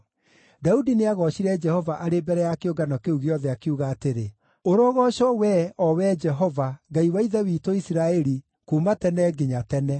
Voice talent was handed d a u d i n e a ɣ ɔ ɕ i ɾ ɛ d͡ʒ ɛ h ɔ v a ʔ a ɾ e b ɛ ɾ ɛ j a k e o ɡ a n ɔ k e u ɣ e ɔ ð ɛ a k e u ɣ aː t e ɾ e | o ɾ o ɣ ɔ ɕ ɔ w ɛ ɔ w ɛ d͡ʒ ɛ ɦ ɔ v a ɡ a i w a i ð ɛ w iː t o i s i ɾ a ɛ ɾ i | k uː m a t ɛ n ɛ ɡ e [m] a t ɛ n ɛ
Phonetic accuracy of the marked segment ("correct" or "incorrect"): incorrect